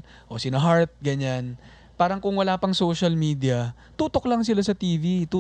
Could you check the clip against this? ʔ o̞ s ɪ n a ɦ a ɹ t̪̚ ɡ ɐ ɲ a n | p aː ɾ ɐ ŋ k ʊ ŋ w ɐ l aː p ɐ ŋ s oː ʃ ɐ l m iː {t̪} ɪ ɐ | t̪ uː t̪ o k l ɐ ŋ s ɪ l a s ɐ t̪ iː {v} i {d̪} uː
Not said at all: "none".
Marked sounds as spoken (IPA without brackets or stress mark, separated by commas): d̪, v, t̪